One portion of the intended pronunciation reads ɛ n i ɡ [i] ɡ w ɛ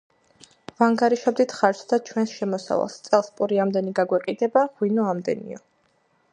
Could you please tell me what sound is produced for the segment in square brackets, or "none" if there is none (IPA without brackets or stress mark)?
a